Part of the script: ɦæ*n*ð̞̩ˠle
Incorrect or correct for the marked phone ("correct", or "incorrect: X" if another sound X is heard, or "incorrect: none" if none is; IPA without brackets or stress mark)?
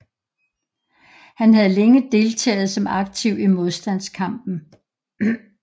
incorrect: none